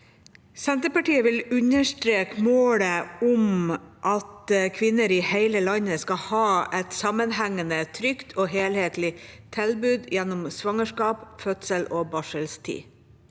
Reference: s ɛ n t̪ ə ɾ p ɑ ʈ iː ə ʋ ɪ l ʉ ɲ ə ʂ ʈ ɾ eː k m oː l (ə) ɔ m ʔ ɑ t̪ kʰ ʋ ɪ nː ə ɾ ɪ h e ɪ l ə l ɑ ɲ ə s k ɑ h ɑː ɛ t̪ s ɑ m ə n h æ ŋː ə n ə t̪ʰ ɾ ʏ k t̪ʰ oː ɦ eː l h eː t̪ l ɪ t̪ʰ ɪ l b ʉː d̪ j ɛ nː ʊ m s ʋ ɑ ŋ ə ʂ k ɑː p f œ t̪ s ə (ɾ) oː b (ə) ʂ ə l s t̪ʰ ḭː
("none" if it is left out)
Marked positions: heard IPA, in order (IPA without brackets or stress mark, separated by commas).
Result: ə, l, ɑ